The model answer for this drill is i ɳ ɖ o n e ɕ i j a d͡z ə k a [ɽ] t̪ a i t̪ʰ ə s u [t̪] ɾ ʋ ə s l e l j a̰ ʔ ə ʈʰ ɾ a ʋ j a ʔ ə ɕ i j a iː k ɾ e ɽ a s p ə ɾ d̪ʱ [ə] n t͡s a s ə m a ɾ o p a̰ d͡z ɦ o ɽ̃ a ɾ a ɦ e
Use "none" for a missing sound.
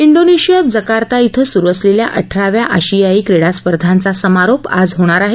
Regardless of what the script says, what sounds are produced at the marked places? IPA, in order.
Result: ɾ, none, a

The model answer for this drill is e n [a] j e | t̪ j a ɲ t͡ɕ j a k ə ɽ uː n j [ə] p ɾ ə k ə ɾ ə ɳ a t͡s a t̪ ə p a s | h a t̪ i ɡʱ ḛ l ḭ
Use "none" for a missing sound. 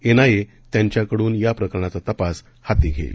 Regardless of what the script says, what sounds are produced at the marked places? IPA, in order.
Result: a, a

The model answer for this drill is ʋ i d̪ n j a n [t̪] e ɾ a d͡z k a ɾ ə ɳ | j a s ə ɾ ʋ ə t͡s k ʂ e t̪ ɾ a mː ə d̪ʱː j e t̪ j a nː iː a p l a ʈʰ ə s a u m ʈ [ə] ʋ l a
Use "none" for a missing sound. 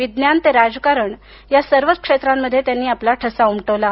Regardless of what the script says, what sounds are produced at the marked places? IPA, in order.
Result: t̪, ə

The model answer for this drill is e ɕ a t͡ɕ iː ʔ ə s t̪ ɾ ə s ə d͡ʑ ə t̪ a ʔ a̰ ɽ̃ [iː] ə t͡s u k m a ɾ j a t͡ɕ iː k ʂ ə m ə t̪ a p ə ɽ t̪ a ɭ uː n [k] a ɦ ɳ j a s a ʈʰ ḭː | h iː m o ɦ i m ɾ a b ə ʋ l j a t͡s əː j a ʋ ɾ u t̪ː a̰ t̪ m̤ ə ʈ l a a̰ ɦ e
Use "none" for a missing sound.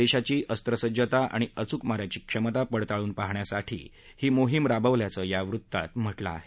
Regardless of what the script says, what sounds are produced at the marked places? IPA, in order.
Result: i, p

